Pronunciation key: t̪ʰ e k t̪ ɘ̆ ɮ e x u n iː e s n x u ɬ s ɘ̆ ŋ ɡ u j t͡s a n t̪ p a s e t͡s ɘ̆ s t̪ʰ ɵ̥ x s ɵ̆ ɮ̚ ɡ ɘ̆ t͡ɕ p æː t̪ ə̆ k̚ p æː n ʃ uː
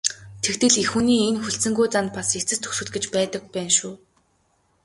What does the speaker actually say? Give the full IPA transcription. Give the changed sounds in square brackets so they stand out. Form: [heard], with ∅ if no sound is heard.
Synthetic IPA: t̪ʰ e k t̪ ɘ̆ ɮ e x u n iː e [∅] n x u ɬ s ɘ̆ ŋ ɡ u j t͡s a n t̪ p a s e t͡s ɘ̆ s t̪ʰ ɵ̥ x s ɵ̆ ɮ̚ ɡ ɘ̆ t͡ɕ p æː t̪ ə̆ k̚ p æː n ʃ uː